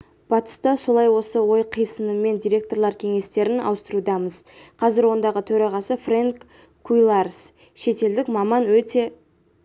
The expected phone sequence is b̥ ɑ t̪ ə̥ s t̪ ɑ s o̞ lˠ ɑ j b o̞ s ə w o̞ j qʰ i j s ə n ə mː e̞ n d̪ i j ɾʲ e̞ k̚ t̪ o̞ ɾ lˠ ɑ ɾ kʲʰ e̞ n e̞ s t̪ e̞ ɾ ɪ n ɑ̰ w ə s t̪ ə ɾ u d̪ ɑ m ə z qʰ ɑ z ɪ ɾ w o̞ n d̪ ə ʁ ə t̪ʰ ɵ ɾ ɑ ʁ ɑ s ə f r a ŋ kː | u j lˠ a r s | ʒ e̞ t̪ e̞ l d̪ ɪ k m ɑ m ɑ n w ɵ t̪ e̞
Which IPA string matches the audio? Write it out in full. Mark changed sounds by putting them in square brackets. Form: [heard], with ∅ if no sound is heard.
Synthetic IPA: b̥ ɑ t̪ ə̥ s t̪ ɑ s o̞ lˠ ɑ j [w] o̞ s ə w o̞ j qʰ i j s ə n ə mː e̞ n d̪ i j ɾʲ e̞ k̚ t̪ o̞ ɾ lˠ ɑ ɾ kʲʰ e̞ [ŋ] e̞ s t̪ e̞ ɾ ɪ n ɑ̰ w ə s t̪ ə ɾ u d̪ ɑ m ə z qʰ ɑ z ɪ ɾ w o̞ n d̪ [ɑ] ʁ ə t̪ʰ ɵ ɾ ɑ ʁ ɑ s ə f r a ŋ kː | u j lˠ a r s | [ʃ] e̞ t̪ e̞ l d̪ ɪ k m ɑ m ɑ n w ɵ t̪ e̞